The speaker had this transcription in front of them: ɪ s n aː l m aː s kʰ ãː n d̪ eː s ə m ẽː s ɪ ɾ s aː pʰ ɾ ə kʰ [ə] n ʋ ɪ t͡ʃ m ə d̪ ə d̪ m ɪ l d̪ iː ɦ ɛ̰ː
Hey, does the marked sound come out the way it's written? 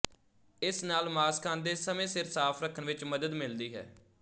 yes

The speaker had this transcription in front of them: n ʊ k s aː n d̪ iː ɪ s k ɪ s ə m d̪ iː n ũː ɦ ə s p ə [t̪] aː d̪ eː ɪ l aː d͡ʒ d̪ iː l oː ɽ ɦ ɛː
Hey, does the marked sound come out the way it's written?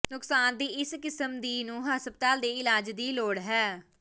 yes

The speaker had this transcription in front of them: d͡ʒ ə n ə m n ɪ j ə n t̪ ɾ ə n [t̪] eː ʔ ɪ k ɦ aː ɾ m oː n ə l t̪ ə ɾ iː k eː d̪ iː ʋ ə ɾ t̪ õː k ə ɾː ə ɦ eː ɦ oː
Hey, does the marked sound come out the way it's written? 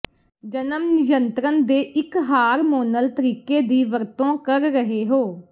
no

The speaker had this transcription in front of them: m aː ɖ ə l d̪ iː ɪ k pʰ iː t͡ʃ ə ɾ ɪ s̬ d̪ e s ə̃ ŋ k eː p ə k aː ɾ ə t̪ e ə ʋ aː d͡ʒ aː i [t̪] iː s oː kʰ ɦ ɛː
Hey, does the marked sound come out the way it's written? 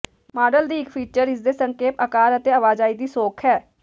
no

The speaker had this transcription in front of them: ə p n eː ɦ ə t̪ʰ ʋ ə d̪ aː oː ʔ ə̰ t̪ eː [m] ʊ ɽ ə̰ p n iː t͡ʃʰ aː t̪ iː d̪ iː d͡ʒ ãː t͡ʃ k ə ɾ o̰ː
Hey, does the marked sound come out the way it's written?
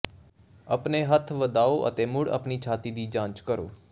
yes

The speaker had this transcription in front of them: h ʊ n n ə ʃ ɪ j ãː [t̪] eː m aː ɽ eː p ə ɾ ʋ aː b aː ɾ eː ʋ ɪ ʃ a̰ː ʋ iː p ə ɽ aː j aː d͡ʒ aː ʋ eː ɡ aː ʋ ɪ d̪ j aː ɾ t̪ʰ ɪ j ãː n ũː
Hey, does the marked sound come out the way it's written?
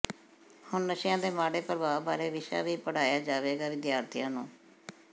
no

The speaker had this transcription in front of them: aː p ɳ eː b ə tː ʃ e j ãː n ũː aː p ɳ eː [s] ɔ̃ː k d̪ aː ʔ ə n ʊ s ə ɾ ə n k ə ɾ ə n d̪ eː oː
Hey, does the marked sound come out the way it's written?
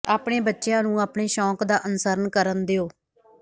no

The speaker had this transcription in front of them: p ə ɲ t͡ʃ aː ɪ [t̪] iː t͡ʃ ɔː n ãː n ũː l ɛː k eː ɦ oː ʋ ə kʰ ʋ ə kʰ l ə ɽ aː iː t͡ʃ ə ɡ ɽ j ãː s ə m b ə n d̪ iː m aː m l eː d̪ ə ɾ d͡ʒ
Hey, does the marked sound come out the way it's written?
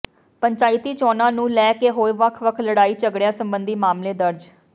yes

